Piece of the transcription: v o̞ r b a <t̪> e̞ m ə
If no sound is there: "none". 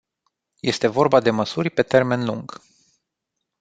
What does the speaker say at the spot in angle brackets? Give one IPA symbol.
d̪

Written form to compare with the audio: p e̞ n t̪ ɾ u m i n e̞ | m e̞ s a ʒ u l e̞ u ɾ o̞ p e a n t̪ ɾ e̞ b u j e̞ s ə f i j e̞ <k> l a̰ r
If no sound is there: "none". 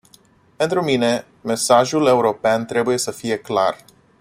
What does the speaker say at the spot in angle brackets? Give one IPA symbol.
k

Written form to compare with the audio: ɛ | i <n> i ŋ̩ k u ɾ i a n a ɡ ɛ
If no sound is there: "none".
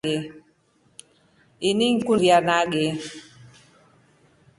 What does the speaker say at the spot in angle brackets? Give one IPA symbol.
n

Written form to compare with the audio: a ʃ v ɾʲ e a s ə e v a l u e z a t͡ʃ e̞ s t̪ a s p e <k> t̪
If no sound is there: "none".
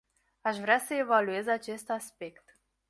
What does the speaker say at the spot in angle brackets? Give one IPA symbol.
k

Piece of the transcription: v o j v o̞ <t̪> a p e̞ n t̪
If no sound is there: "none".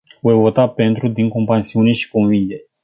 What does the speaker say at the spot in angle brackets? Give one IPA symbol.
t̪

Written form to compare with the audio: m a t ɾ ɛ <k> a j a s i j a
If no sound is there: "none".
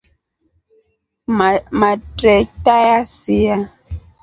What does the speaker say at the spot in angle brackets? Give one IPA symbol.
t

